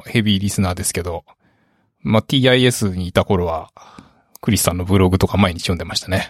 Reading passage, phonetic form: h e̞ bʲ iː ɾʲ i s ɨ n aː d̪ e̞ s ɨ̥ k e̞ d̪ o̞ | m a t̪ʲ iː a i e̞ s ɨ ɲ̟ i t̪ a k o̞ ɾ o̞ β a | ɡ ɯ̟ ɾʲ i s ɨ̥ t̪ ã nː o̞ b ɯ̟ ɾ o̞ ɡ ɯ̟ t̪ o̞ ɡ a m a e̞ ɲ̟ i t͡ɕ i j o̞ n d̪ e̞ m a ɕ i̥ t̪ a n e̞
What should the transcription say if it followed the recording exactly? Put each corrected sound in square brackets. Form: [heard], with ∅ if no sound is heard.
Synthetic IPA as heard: h e̞ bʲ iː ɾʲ i s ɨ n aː d̪ e̞ s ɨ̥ k e̞ d̪ o̞ | m a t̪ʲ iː a i e̞ s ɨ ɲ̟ [iː] t̪ a k o̞ ɾ o̞ β a | [k] ɯ̟ ɾʲ i s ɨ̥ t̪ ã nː o̞ b ɯ̟ ɾ o̞ ɡ ɯ̟ t̪ o̞ [k] a m a e̞ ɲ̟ i t͡ɕ i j o̞ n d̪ e̞ m a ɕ i̥ t̪ a n e̞